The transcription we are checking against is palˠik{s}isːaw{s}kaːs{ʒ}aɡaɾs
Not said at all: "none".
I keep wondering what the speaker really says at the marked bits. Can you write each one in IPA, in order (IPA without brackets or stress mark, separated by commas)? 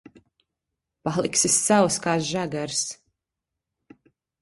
s, s, ʒ